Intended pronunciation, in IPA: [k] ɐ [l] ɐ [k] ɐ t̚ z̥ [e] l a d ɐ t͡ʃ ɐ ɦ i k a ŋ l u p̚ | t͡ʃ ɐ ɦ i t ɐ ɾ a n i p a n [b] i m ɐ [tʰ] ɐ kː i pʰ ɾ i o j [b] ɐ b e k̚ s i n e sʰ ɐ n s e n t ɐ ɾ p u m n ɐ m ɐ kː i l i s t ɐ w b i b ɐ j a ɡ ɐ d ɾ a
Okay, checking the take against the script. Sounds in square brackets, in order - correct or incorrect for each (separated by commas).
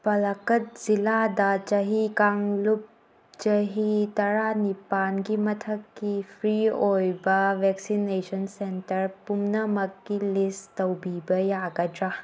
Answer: incorrect, correct, correct, incorrect, incorrect, correct, correct